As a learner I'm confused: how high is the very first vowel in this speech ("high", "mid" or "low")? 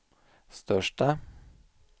mid